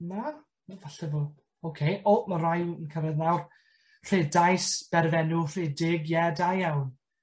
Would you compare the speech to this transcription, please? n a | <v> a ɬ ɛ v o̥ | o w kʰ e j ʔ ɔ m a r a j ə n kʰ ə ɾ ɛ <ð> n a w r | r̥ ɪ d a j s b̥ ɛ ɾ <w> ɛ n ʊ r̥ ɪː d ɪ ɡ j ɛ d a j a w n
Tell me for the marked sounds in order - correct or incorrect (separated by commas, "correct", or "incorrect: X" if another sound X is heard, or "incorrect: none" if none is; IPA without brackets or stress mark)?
correct, correct, incorrect: v